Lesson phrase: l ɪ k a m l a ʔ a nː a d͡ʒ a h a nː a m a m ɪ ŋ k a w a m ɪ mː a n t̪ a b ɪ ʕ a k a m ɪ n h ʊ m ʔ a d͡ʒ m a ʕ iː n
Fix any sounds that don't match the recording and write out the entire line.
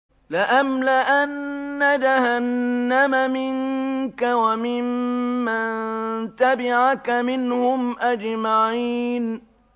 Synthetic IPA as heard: l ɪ ʔ a m l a ʔ a nː a d͡ʒ a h a nː a m a m ɪ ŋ k a w a m ɪ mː a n t̪ a b ɪ ʕ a k a m ɪ n h ʊ m ʔ a d͡ʒ m a ʕ iː n